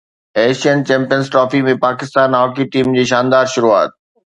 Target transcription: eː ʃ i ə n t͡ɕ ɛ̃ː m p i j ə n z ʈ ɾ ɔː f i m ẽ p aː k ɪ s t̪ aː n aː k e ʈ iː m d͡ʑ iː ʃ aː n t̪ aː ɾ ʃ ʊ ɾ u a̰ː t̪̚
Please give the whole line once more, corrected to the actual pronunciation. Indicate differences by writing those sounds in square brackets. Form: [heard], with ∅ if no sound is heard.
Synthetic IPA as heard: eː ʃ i ə n t͡ɕ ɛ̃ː m p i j ə n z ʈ ɾ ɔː f i m ẽ p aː k ɪ s t̪ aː n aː k [i] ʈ iː m d͡ʑ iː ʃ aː n [d̪] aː ɾ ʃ ʊ ɾ u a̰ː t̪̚